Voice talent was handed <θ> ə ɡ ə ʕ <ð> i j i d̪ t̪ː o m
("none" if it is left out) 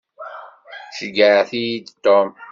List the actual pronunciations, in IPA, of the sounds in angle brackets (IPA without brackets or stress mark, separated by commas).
ʃ, θ